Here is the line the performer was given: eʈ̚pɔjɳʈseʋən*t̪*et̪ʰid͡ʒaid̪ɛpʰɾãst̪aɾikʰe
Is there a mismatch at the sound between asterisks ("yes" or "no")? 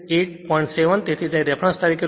no